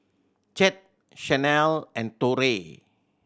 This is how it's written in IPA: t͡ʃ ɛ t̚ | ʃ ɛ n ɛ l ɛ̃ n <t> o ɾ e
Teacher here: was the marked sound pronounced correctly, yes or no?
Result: yes